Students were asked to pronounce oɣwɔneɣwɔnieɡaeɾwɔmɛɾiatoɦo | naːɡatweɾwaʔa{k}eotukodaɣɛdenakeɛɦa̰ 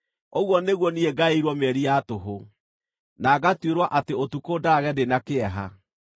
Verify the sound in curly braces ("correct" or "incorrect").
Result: incorrect